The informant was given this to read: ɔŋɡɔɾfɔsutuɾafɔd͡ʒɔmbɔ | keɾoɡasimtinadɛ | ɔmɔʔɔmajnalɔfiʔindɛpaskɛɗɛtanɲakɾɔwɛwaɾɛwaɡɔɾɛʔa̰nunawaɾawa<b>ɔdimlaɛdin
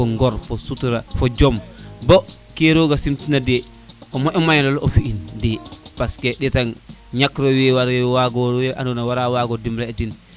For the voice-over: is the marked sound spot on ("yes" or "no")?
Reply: no